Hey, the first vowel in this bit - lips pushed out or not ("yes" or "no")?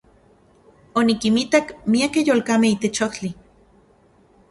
yes